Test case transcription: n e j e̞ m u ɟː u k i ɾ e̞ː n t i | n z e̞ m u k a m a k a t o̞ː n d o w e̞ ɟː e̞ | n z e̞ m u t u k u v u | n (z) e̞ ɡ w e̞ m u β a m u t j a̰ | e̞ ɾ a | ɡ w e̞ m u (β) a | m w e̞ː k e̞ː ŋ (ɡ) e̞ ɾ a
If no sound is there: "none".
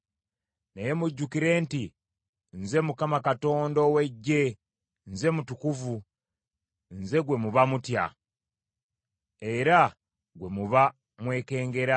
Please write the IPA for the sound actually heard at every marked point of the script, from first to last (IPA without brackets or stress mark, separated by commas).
z, β, ɡ